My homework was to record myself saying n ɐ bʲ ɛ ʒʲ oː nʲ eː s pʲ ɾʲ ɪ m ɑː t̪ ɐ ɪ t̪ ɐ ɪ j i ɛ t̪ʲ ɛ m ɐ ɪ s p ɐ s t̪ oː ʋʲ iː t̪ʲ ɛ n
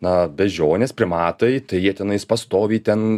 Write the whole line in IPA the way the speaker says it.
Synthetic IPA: n ɐ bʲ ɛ ʒʲ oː nʲ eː s pʲ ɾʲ ɪ m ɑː t̪ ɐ ɪ t̪ ɐ ɪ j i ɛ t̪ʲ ɛ n ɐ ɪ s p ɐ s t̪ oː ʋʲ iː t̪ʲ ɛ n